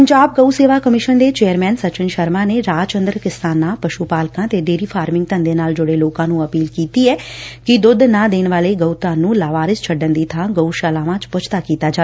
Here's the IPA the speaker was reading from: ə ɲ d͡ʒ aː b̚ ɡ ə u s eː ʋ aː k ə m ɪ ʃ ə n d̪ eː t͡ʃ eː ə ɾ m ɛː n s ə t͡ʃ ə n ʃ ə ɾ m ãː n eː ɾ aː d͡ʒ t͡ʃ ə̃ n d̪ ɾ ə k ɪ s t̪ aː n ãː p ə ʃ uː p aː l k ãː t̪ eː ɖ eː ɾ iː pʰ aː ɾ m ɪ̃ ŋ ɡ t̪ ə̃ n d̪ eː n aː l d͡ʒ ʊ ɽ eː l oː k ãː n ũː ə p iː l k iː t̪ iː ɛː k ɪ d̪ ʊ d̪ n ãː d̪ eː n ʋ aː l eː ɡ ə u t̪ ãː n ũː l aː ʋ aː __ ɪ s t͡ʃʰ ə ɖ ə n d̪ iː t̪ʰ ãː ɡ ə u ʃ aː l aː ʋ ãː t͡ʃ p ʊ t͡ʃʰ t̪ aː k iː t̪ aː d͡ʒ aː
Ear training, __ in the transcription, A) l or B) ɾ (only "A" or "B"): B